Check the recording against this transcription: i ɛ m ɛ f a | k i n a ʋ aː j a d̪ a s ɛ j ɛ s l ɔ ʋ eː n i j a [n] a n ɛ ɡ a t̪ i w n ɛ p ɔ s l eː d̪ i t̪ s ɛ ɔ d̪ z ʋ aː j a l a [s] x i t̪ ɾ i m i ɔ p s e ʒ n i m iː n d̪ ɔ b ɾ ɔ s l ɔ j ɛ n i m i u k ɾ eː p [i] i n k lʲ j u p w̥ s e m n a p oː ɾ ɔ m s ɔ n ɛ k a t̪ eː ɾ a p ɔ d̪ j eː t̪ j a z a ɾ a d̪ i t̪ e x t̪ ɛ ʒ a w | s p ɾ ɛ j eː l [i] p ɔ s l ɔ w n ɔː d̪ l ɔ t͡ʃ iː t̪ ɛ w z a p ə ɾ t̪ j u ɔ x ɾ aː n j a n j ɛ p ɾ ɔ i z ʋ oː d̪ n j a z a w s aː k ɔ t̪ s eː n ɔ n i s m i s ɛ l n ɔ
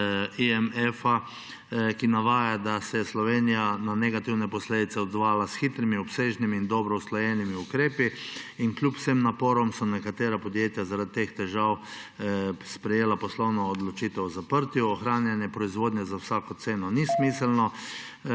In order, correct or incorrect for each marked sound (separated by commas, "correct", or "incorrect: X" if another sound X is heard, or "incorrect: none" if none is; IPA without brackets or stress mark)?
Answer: correct, correct, correct, incorrect: a